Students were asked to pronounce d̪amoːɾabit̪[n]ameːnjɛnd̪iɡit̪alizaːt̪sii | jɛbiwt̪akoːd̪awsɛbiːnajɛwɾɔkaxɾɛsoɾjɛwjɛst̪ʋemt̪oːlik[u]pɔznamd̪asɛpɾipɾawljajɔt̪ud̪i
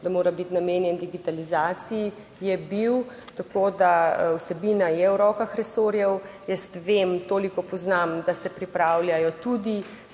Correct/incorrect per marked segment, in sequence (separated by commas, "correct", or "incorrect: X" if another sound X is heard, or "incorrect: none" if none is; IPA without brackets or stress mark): correct, incorrect: ɔ